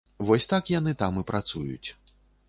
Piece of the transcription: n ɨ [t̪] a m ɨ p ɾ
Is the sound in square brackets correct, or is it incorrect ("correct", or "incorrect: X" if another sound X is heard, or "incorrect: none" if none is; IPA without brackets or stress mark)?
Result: correct